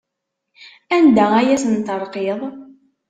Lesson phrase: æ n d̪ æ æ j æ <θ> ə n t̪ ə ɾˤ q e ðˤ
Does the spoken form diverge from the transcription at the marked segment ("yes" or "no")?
yes